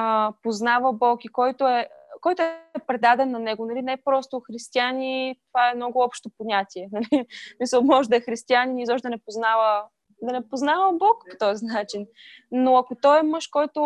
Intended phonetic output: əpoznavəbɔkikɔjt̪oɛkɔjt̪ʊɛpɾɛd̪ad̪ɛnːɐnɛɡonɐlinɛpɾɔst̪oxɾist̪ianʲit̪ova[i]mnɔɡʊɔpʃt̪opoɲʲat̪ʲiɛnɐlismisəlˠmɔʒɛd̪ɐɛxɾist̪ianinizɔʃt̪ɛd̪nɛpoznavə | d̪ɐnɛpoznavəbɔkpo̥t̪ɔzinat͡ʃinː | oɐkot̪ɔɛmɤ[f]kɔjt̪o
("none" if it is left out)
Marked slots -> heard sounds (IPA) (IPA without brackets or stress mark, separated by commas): ɛ, ʃ